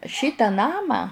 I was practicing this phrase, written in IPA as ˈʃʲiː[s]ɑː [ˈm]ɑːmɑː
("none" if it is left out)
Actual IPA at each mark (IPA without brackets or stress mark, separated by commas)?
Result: t, n